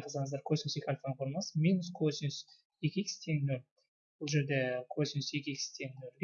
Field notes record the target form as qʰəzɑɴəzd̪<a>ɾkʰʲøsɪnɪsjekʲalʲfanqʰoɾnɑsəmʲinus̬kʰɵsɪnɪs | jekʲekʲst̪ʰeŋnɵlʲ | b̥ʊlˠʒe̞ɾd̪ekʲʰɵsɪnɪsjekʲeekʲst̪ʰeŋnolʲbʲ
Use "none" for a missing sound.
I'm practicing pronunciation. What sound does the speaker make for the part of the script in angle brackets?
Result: ɑ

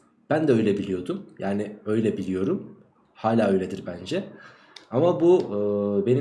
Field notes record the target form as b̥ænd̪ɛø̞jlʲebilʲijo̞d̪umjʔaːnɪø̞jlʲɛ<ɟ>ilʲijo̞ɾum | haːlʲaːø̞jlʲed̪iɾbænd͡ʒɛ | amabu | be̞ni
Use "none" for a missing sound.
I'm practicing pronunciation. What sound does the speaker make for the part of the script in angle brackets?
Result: b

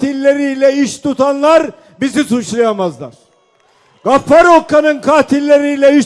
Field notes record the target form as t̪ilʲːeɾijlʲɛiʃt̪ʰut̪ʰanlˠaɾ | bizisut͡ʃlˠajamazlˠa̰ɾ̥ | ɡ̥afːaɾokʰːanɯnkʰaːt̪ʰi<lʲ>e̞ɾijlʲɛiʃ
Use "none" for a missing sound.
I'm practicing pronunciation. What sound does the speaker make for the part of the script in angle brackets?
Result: lʲː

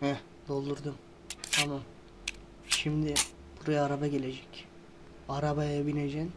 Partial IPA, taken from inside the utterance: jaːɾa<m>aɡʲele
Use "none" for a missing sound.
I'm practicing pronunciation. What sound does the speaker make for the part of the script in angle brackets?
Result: b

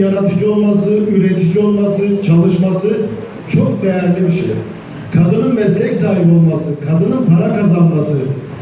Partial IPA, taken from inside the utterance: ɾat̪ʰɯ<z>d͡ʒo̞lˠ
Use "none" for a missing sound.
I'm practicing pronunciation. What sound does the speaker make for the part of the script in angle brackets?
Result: none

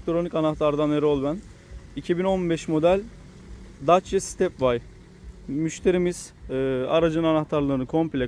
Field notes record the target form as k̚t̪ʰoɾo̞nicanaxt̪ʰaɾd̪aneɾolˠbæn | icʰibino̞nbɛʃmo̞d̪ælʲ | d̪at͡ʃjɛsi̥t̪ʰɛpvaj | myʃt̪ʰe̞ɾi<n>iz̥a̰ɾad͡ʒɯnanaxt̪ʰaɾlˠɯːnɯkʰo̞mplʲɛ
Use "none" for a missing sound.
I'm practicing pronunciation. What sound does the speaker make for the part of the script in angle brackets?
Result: m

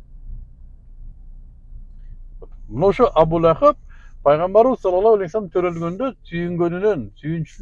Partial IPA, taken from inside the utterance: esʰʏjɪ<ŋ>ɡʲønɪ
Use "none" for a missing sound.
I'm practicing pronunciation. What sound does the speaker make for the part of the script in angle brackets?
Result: ŋ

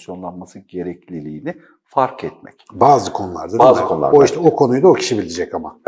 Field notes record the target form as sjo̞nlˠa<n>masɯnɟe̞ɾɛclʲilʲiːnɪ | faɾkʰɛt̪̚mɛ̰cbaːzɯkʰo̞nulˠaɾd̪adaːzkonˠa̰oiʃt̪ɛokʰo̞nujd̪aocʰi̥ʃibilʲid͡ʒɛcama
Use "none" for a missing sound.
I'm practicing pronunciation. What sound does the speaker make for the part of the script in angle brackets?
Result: n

